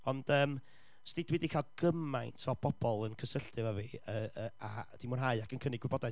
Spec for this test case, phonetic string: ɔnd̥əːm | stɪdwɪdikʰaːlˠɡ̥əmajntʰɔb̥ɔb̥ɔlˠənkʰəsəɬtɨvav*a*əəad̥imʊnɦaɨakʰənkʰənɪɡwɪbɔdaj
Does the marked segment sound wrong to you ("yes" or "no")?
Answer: yes